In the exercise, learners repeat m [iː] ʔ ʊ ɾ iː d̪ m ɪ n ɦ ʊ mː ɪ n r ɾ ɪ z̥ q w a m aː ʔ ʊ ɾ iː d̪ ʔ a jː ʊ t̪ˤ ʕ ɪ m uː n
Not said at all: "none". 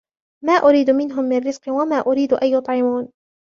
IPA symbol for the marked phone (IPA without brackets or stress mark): aː